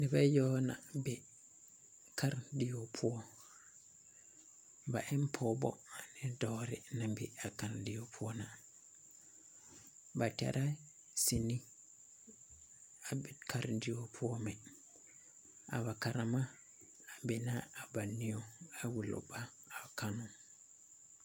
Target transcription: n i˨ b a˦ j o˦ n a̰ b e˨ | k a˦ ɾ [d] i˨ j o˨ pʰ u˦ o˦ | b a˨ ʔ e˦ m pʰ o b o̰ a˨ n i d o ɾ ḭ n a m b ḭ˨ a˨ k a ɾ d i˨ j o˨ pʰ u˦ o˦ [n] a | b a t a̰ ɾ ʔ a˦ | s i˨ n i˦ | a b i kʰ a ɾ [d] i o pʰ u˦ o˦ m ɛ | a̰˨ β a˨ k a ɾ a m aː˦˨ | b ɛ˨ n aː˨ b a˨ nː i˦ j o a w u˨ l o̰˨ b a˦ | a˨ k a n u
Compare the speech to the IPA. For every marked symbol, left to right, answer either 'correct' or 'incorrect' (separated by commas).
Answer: correct, correct, correct